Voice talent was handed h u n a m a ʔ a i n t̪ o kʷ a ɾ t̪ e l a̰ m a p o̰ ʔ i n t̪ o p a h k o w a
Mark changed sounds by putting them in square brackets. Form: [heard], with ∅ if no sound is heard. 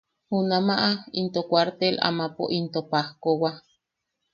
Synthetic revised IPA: h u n a m a ʔ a i n t̪ o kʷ a ɾ t̪ e l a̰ m a p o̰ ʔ i n t̪ o p a h k o w a